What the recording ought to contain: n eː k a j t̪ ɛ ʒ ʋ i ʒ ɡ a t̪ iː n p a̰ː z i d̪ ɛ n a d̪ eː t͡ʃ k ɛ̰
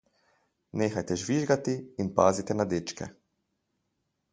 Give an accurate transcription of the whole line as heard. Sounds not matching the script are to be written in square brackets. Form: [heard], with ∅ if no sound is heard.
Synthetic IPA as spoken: n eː [x] a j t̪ ɛ ʒ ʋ i ʒ ɡ a t̪ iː n p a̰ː z i [t̪] ɛ n a d̪ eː t͡ʃ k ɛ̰